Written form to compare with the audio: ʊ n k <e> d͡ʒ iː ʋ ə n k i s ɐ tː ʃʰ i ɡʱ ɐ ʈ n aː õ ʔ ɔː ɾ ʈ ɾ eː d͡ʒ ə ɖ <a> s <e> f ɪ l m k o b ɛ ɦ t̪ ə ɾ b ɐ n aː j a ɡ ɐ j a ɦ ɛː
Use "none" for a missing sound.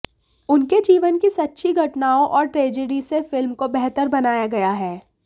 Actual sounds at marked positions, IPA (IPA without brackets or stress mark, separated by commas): e, i, e